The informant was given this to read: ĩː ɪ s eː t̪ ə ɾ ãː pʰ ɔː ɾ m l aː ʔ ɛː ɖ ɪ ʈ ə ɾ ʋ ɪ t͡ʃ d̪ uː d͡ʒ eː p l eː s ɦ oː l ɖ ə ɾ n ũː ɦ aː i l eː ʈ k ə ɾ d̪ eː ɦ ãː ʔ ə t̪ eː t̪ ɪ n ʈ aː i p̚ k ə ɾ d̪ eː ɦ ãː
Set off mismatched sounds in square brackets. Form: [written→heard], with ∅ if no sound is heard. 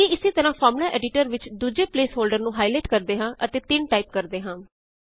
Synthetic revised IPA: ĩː ɪ s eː t̪ ə ɾ ãː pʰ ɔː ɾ m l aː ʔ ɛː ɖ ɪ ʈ ə ɾ ʋ ɪ t͡ʃ d̪ uː d͡ʒ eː p l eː s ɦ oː l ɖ ə ɾ n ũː ɦ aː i l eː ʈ k ə ɾ d̪ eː ɦ ãː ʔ ə t̪ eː t̪ ɪ n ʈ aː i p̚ k ə ɾ d̪ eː ɦ ãː

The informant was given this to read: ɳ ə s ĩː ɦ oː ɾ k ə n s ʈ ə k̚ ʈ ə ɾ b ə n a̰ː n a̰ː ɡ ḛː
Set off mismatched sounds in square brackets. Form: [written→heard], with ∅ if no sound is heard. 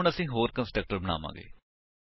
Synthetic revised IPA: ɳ ə s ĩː ɦ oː ɾ k ə n s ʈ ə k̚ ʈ ə ɾ b ə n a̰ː [n→m] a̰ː ɡ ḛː

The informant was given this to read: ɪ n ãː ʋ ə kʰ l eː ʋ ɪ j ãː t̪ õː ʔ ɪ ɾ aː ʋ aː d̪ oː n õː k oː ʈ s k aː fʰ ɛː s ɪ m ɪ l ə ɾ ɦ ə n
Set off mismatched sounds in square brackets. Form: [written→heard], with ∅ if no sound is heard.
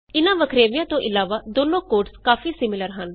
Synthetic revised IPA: ɪ n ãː ʋ ə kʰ [l→ɾ] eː ʋ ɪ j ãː t̪ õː ʔ ɪ [ɾ→l] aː ʋ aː d̪ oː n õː k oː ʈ s k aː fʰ [ɛː→iː] s ɪ m ɪ l ə ɾ ɦ ə n

